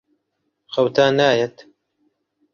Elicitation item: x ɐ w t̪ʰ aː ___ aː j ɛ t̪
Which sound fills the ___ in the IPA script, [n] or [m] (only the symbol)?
n